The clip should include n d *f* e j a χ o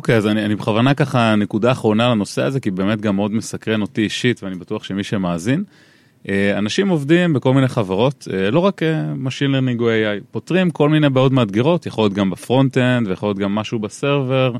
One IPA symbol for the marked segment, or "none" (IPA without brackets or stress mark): v